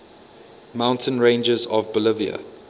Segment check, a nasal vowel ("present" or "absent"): present